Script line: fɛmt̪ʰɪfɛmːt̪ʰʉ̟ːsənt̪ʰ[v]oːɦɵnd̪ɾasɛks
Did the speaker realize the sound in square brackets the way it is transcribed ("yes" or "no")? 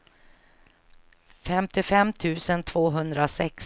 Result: yes